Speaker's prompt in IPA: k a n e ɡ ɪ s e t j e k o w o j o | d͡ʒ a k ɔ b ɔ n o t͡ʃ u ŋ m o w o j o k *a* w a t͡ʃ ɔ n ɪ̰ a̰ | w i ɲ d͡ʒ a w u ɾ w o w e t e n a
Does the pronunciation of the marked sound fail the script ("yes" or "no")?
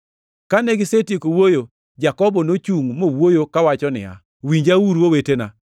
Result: no